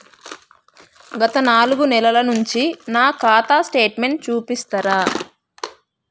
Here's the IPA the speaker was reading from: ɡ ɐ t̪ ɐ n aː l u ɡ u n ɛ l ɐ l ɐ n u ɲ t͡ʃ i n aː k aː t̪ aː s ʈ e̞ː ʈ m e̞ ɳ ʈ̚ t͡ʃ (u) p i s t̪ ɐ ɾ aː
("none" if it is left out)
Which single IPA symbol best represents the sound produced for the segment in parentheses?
uː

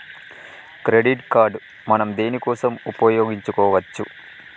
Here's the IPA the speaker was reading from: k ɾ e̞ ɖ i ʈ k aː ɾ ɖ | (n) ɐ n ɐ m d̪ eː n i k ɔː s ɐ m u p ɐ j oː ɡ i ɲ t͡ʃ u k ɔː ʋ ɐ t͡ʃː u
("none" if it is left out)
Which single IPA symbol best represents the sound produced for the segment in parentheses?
m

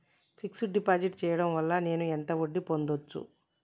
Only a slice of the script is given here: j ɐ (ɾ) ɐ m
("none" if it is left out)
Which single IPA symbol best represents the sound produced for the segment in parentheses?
ɽ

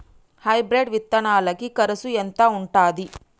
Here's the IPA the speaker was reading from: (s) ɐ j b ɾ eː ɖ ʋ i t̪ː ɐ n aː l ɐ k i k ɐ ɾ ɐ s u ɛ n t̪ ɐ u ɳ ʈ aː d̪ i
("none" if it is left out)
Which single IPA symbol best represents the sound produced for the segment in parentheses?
h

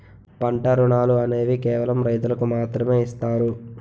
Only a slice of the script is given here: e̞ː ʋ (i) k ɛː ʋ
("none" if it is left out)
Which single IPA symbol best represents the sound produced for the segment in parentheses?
i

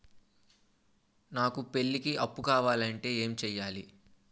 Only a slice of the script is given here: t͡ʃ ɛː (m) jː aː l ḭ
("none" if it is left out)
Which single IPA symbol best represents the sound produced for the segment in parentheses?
none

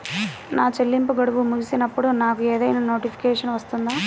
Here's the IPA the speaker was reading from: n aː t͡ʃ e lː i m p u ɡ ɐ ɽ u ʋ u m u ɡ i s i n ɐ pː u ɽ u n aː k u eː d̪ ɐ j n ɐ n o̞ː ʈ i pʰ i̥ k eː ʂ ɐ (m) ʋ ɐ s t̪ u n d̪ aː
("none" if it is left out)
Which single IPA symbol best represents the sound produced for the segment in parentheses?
n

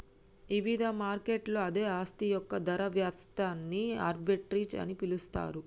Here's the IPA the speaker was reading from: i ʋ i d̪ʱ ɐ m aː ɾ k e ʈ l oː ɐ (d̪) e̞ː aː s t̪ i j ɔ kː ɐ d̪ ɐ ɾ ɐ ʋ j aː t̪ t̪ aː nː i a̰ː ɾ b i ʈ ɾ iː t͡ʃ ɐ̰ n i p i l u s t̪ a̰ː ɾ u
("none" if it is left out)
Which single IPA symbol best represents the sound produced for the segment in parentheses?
d̪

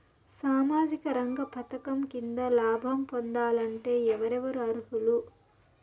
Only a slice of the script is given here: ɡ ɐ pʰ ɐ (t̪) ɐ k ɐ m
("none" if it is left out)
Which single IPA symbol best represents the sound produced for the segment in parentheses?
t̪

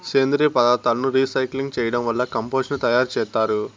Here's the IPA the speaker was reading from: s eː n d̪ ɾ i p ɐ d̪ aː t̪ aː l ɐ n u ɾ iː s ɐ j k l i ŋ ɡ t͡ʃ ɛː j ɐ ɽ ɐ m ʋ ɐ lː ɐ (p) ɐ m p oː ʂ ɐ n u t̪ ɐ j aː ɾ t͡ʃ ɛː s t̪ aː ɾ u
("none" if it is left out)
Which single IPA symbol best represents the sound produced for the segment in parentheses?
k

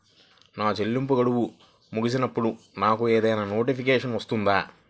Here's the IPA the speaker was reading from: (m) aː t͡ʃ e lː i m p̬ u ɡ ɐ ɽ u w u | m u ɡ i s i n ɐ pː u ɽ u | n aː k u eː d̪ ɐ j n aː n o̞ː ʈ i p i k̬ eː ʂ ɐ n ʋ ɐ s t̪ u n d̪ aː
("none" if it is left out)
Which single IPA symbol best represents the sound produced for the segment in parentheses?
n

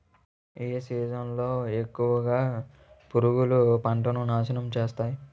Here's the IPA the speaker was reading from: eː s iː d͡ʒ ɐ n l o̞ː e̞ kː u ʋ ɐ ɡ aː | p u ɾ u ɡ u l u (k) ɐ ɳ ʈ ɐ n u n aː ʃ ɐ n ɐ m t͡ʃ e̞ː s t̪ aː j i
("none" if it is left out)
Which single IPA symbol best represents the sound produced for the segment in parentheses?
p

